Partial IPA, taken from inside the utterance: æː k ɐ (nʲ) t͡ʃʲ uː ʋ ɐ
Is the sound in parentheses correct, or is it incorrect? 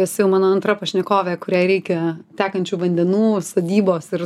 correct